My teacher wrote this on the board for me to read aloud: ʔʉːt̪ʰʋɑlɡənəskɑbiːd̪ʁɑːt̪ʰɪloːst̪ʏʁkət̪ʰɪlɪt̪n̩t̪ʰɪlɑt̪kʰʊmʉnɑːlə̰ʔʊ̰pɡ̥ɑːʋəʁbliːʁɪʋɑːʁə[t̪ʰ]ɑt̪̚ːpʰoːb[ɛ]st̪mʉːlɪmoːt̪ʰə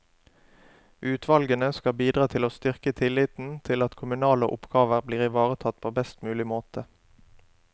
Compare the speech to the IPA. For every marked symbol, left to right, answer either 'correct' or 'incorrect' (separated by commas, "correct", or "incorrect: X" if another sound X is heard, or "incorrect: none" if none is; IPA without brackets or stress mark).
correct, correct